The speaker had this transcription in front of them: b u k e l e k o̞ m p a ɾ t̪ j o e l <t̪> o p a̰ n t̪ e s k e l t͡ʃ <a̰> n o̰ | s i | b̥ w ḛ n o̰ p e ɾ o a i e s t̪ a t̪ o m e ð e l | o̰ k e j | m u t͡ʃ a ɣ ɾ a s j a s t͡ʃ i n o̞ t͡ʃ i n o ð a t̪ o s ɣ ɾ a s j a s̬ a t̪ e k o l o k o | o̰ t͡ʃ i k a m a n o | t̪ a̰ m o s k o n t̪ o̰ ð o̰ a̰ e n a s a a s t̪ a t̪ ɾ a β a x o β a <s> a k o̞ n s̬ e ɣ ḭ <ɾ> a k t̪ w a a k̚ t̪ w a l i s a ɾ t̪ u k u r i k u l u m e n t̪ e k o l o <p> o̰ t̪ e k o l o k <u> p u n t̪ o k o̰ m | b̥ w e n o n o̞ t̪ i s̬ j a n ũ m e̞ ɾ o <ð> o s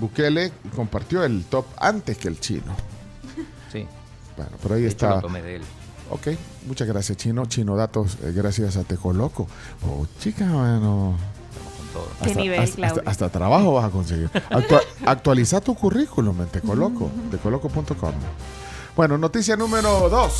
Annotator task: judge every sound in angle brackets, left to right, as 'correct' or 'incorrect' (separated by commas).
correct, incorrect, correct, correct, incorrect, incorrect, correct